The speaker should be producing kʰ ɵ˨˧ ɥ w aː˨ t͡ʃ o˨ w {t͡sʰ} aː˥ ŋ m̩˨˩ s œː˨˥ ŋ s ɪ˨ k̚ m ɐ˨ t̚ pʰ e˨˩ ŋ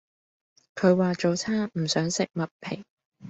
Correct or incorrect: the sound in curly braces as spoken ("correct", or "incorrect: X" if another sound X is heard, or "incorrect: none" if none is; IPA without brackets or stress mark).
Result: correct